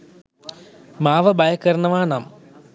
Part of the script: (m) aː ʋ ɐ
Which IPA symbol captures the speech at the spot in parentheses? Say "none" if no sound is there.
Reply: m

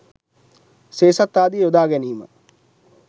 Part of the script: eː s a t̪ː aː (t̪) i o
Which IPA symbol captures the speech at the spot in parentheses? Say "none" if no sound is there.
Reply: d̪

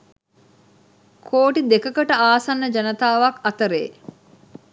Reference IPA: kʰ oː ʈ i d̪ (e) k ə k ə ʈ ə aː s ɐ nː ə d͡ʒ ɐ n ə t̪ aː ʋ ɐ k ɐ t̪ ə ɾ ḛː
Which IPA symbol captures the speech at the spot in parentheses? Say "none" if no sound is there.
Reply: e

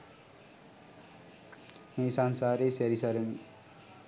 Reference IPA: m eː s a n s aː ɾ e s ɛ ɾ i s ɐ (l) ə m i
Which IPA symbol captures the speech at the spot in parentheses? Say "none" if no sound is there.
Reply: ɾ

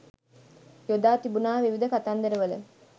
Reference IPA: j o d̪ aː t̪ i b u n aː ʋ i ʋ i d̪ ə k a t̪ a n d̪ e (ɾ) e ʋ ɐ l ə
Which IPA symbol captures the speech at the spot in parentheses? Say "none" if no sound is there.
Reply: ɾ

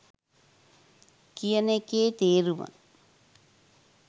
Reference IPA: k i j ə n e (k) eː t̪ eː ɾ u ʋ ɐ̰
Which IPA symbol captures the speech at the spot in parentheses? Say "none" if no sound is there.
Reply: k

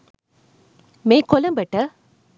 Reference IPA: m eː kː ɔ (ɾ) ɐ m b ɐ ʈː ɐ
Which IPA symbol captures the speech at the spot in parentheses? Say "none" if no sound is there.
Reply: l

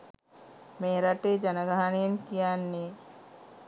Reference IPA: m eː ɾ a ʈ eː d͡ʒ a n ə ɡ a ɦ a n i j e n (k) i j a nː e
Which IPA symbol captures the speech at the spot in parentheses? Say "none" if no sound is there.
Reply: k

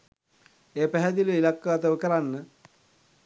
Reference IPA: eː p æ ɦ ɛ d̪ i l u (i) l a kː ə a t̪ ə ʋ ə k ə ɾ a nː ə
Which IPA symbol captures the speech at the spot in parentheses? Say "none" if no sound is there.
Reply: i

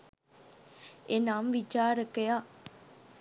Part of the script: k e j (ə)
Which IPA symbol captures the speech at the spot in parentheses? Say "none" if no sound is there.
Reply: a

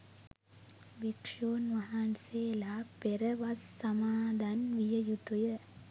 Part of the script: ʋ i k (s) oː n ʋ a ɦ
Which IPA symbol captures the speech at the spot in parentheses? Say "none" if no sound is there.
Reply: ʂ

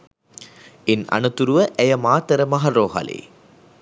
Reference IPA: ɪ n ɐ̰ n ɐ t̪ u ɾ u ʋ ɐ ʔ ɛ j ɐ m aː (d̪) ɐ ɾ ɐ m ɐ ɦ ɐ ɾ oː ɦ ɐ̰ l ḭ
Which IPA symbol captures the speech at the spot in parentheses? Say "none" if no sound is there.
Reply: t̪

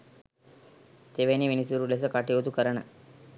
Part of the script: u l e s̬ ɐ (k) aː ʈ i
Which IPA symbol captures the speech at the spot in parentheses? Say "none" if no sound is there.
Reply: k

